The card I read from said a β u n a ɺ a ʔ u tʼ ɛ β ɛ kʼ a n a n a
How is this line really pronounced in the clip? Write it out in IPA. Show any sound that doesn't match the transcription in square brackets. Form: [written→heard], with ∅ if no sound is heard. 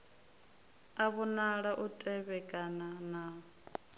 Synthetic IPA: a β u n a ɺ a ʔ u tʼ ɛ β ɛ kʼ a n a n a